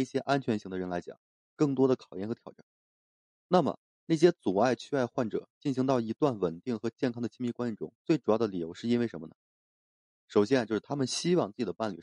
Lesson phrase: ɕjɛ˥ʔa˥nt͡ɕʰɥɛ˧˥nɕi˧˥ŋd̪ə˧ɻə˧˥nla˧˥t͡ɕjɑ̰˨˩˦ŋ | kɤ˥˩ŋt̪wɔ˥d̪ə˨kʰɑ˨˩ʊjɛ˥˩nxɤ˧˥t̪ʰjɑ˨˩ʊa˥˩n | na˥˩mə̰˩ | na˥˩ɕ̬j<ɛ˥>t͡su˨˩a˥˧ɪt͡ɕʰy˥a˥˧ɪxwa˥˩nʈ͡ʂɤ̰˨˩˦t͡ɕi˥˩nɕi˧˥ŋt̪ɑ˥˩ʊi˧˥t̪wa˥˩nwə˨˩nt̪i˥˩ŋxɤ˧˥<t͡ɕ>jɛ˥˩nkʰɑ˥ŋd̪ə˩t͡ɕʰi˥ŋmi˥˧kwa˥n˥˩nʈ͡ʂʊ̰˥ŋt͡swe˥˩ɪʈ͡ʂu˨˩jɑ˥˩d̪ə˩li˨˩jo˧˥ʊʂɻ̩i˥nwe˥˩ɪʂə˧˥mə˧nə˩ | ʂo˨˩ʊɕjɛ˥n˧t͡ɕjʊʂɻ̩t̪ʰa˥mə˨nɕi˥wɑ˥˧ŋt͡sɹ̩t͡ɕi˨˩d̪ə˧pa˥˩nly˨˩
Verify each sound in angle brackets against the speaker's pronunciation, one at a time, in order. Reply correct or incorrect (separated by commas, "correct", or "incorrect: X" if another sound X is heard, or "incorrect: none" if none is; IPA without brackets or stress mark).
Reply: correct, correct